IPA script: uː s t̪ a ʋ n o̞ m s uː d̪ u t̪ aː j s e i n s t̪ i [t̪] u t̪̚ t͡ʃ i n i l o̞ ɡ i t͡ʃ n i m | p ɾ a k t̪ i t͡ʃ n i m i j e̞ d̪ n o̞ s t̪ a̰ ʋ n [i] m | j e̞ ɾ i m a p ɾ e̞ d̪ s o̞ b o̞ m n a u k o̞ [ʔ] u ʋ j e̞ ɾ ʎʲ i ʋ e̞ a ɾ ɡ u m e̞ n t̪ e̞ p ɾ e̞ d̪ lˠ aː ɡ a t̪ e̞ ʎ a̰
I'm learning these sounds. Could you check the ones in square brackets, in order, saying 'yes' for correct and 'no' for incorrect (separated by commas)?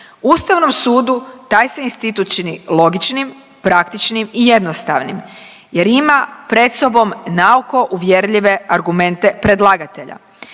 yes, yes, yes